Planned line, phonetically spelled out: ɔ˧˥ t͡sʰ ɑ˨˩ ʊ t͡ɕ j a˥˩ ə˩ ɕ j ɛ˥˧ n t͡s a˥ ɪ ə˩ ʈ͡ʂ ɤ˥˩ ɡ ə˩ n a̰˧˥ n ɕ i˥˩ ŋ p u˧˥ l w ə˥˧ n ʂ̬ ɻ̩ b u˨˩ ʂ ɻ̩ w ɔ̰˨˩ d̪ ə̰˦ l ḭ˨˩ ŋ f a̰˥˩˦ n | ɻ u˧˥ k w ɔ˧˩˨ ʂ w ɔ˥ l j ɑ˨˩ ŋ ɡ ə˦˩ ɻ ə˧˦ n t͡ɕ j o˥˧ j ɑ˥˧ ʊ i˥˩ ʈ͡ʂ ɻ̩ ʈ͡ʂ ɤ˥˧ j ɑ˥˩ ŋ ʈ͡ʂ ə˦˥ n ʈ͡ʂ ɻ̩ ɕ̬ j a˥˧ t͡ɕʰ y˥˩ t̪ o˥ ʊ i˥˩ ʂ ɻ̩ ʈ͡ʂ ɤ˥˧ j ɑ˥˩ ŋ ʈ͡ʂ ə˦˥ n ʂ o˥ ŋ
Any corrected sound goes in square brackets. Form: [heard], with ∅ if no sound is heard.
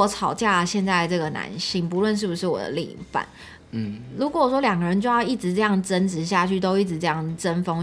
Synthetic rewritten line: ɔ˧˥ t͡sʰ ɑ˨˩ ʊ t͡ɕ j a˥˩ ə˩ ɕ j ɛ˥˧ n t͡s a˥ ɪ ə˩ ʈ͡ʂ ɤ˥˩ ɡ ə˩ n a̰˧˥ n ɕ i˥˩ ŋ p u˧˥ l w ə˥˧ n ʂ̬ ɻ̩ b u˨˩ ʂ ɻ̩ w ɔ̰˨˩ d̪ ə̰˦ l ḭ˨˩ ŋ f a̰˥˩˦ n | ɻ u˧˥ k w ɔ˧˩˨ ʂ w ɔ˥ l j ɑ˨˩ ŋ ɡ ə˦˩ ɻ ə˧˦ n t͡ɕ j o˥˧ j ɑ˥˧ ʊ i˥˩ ʈ͡ʂ ɻ̩ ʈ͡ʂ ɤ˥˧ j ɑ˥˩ ŋ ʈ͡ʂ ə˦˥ n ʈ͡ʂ ɻ̩ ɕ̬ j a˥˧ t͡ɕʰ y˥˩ t̪ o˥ ʊ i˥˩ [ʈ͡ʂ] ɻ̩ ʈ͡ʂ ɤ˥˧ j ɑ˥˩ ŋ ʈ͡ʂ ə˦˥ n [f] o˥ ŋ